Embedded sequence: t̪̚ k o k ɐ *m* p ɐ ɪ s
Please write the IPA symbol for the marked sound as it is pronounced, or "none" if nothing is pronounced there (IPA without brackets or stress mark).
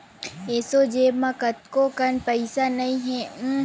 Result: n